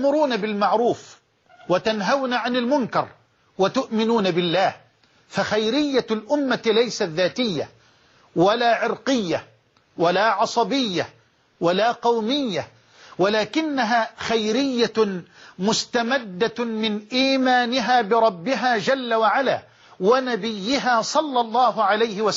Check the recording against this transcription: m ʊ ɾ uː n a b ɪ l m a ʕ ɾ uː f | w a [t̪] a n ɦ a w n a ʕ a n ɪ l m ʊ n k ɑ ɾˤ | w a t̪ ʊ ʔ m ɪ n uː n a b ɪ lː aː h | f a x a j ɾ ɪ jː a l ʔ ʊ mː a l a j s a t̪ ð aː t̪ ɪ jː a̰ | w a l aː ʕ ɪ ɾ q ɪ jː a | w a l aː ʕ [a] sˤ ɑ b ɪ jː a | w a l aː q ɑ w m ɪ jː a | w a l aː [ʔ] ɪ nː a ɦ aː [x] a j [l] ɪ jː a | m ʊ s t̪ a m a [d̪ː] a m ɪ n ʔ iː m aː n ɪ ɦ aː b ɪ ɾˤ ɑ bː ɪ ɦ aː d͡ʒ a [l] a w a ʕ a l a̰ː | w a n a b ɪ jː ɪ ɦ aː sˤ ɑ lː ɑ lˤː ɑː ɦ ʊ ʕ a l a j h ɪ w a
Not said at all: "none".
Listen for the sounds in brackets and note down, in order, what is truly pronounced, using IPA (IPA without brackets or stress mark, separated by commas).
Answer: t̪, ɑ, k, x, ɾ, d̪ː, lː